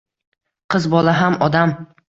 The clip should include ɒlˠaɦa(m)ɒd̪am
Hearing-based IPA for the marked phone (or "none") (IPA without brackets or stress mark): m